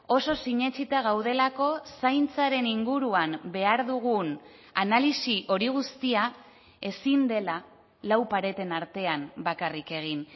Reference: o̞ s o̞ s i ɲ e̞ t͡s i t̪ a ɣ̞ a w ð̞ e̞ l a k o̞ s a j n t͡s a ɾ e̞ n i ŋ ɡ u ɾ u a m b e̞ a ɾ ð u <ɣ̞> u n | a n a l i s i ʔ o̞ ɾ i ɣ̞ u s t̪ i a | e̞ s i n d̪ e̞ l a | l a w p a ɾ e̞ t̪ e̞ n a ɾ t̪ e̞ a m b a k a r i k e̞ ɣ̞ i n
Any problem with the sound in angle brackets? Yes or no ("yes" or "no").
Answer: no